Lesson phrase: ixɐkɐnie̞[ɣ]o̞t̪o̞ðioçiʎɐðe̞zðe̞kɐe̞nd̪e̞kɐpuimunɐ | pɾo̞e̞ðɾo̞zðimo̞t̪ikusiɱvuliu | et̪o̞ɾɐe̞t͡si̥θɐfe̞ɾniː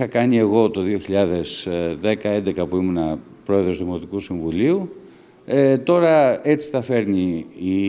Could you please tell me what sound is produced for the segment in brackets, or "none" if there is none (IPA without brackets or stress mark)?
ɣ